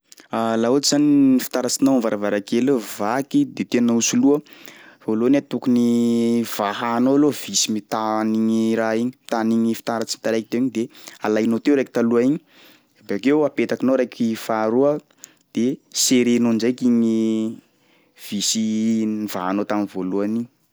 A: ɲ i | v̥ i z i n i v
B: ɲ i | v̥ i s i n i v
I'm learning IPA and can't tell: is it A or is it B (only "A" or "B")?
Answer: B